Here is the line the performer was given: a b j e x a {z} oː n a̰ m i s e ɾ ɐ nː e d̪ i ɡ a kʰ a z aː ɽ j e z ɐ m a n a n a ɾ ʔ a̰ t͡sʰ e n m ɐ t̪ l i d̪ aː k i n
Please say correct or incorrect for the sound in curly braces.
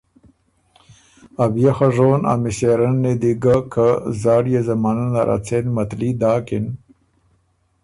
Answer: incorrect